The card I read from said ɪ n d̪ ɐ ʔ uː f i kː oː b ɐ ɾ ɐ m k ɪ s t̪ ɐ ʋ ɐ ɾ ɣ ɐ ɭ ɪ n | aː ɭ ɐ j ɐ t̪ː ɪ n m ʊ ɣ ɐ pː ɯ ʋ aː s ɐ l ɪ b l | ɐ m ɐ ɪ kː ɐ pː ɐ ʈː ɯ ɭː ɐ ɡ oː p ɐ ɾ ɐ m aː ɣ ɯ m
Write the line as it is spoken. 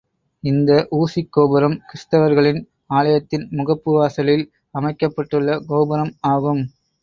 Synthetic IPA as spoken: ɪ n d̪ ɐ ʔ uː s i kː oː b ɐ ɾ ɐ m k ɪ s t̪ ɐ ʋ ɐ ɾ ɣ ɐ ɭ ɪ n | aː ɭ ɐ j ɐ t̪ː ɪ n m ʊ ɣ ɐ pː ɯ ʋ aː s ɐ l ɪ l | ɐ m ɐ ɪ kː ɐ pː ɐ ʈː ɯ ɭː ɐ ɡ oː b ɐ ɾ ɐ m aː ɣ ɯ m